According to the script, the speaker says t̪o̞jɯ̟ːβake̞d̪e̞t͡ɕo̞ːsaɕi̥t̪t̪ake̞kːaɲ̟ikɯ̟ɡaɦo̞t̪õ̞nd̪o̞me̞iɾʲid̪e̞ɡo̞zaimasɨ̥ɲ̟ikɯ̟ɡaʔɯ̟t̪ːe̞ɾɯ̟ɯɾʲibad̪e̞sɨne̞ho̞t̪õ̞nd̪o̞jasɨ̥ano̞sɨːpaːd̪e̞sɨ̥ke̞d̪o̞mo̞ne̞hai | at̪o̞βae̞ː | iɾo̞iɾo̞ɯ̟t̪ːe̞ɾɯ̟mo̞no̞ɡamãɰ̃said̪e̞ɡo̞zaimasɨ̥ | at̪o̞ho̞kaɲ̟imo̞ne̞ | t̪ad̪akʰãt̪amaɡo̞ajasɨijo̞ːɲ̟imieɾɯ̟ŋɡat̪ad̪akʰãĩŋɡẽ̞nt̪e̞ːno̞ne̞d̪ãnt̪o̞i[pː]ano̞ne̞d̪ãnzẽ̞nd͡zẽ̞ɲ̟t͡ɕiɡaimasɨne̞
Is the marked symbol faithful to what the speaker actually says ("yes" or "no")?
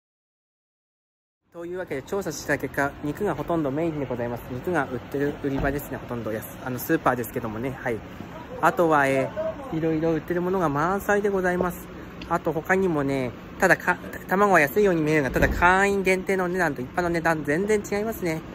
yes